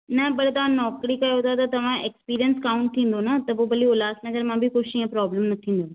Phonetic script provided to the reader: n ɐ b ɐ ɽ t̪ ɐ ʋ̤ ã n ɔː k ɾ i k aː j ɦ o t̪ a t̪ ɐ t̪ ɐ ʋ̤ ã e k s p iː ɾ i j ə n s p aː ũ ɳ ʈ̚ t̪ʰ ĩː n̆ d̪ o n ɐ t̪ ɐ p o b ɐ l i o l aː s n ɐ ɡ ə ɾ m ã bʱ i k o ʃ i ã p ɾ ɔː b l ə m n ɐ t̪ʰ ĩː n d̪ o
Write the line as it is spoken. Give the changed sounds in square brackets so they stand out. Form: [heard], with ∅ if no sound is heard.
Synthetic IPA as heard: n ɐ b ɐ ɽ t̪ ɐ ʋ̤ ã n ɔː k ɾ i k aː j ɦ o t̪ a t̪ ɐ t̪ ɐ ʋ̤ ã e k s p iː ɾ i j ə n s [k] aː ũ ɳ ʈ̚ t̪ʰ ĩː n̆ d̪ o n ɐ t̪ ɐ p o b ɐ l i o l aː s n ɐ ɡ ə ɾ m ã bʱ i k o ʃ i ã p ɾ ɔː b l ə m n ɐ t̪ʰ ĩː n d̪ o